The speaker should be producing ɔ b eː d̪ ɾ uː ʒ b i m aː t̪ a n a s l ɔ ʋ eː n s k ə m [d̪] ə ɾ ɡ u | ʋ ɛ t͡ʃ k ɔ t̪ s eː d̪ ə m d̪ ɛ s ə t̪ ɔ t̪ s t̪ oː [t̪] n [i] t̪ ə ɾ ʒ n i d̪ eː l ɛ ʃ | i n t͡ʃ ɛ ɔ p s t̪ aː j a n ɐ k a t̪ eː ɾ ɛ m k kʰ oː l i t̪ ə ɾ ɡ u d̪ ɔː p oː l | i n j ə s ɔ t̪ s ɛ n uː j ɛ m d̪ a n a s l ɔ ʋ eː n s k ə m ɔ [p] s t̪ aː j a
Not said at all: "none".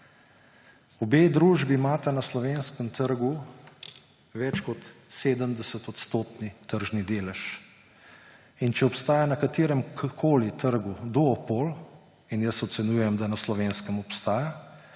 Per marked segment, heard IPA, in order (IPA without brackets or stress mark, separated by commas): t̪, t̪, i, p